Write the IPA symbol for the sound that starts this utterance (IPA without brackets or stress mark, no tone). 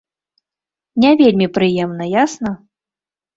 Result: nʲ